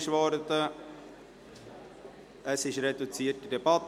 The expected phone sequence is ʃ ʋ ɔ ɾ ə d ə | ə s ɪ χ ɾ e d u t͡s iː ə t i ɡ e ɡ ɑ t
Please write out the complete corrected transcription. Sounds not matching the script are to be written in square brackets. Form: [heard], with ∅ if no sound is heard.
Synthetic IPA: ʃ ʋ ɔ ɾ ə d ə | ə s ɪ [ʃ] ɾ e d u t͡s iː ə t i [d] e [b] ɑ t